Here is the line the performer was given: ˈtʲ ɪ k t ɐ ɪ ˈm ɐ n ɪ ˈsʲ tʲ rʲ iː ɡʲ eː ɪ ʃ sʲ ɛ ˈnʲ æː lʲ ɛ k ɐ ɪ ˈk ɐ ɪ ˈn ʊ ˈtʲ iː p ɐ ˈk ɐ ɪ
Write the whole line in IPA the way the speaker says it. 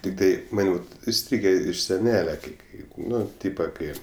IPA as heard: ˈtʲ ɪ k t ɐ ɪ ˈm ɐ n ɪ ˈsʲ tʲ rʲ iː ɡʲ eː ɪ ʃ sʲ ɛ ˈnʲ æː lʲ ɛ k ɐ ɪ ˈk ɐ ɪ ˈn ʊ ˈtʲ iː p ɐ ˈk ɐ ɪ